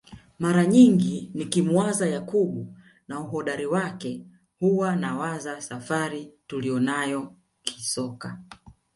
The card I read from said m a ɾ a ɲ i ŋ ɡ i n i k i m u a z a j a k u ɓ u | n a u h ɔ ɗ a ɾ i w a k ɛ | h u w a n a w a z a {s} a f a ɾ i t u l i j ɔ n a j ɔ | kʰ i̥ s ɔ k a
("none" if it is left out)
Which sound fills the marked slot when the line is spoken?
s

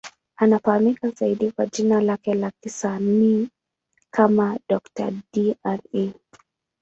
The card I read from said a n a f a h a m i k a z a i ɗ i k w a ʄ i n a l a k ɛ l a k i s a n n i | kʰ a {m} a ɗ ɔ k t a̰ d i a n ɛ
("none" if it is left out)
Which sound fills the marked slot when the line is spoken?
m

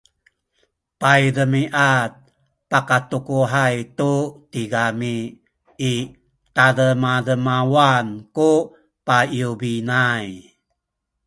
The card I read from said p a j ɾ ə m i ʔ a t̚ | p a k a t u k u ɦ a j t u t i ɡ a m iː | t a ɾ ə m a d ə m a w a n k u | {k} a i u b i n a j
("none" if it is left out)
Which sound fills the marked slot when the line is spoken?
p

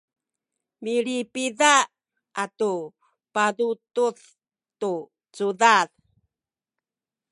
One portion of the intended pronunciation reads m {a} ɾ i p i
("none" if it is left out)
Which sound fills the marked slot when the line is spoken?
i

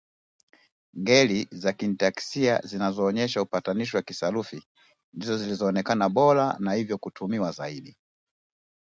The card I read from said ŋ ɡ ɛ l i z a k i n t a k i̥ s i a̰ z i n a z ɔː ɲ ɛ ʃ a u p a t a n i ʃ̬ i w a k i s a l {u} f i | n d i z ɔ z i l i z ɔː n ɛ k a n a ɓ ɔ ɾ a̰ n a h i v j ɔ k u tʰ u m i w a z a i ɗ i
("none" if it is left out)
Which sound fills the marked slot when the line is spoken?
u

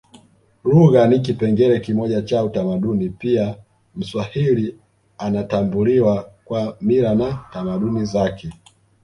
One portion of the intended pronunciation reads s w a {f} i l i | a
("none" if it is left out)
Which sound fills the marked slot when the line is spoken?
h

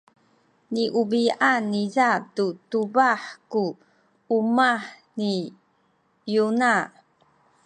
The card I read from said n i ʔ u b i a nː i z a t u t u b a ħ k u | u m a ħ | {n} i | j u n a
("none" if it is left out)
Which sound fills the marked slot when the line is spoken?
n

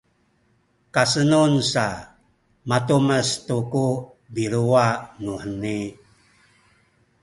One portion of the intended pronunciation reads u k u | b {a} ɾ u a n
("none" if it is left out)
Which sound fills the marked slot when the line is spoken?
i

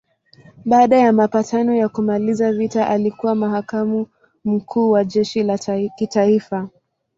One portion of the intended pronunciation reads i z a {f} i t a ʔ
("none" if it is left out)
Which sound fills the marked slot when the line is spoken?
v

